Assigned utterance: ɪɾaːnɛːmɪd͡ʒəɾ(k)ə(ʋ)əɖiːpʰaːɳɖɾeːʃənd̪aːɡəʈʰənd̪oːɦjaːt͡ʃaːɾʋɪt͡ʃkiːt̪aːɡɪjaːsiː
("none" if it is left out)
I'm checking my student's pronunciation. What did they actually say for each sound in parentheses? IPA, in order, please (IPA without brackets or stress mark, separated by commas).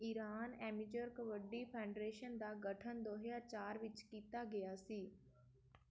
k, ʋ